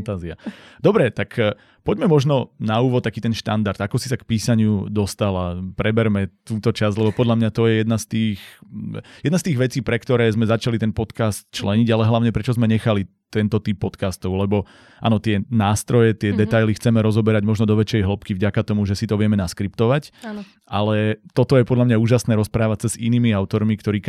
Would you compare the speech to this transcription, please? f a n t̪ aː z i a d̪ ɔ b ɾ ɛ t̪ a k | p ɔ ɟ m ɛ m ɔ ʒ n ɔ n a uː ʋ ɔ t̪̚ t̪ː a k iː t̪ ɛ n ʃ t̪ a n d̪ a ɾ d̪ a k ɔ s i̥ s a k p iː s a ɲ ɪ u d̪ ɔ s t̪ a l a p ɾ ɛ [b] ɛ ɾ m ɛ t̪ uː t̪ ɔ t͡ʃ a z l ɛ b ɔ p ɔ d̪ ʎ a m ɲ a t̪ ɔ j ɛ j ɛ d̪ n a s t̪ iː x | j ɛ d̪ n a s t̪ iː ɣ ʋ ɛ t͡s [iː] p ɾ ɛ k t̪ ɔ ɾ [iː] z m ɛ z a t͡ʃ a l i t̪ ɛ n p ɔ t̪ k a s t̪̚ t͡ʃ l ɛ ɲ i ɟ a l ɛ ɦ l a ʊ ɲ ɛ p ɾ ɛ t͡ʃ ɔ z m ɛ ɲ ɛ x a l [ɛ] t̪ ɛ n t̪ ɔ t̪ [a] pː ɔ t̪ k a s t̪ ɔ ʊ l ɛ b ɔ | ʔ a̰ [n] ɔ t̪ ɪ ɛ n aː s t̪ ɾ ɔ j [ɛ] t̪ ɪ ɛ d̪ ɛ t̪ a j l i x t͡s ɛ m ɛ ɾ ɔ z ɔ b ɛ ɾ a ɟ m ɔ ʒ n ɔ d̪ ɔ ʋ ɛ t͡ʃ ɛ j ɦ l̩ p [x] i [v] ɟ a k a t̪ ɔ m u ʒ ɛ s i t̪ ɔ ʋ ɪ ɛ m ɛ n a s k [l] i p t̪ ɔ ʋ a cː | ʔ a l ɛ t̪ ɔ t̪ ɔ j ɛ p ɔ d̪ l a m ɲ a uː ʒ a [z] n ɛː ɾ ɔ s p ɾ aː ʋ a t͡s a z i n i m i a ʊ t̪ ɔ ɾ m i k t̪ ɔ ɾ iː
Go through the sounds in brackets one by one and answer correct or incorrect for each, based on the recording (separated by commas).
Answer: correct, correct, incorrect, incorrect, incorrect, correct, correct, incorrect, correct, incorrect, incorrect